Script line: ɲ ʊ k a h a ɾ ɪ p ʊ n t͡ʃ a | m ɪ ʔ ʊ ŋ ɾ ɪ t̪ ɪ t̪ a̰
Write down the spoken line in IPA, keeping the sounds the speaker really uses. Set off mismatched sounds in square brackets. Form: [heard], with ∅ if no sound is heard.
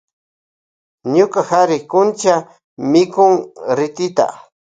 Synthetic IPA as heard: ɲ ʊ k a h a ɾ ɪ [k] ʊ n t͡ʃ a | m ɪ [k] ʊ ŋ ɾ ɪ t̪ ɪ t̪ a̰